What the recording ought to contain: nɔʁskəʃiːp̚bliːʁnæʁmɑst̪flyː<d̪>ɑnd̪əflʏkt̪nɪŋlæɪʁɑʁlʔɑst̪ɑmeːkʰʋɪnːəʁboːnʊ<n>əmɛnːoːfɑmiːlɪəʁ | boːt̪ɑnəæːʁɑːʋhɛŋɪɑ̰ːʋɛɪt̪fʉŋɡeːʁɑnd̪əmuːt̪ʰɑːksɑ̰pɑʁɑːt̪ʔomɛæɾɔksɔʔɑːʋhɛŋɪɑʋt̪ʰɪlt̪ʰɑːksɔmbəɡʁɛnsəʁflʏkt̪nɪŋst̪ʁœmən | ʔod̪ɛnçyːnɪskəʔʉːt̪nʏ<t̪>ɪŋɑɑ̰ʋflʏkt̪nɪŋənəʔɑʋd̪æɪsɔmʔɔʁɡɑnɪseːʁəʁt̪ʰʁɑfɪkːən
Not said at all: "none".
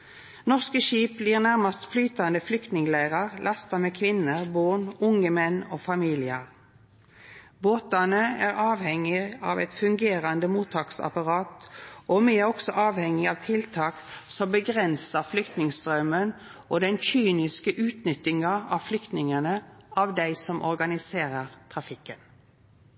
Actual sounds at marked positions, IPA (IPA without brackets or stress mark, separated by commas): t̪, ŋ, t̪